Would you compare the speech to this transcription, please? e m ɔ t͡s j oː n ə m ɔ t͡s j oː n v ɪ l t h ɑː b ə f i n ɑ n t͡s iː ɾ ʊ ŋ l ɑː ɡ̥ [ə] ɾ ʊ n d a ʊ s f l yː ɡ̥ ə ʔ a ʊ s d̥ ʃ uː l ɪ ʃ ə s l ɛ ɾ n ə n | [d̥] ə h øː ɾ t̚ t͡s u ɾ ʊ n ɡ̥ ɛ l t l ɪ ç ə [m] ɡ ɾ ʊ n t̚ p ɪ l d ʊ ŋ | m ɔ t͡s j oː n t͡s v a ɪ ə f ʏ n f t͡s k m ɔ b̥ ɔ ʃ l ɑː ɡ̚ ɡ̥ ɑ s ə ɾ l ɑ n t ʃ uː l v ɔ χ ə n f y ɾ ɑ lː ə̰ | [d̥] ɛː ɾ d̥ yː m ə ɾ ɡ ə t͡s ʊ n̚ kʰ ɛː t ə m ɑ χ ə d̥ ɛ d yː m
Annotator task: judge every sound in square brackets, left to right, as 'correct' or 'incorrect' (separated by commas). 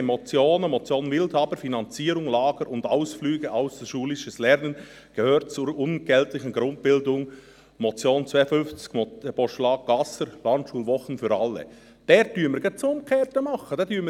correct, incorrect, incorrect, correct